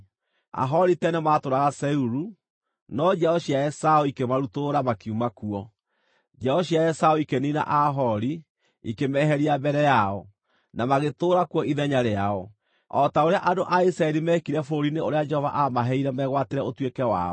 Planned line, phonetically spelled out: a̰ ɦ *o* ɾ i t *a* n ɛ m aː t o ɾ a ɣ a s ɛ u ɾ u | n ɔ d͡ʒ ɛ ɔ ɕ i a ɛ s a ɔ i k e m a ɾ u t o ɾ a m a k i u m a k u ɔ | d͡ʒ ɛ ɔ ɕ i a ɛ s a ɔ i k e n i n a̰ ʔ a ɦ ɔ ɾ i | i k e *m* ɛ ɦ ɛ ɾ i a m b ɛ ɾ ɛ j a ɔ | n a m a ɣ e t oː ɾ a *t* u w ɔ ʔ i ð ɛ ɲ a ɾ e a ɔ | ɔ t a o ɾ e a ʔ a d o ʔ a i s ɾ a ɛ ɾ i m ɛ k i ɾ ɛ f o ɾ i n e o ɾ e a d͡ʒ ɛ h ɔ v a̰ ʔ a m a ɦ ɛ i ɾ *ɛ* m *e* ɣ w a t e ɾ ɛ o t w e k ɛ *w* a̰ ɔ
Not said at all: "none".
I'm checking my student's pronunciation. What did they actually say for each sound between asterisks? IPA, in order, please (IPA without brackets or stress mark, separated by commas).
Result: ɔ, ɛ, m, k, ɛ, ɛ, w